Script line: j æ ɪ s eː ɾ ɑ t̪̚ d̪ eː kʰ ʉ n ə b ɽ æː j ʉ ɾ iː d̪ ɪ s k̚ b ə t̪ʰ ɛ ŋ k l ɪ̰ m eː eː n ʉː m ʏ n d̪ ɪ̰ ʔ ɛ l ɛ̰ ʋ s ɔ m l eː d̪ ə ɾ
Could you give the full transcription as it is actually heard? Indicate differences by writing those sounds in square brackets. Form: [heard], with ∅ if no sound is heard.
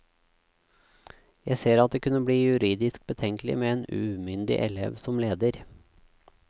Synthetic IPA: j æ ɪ s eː ɾ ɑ t̪̚ d̪ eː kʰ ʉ n ə b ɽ [iː] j ʉ ɾ iː d̪ ɪ s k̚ b ə t̪ʰ ɛ ŋ k l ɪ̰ m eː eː n ʉː m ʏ n d̪ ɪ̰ ʔ ɛ l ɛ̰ ʋ s ɔ m l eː d̪ ə ɾ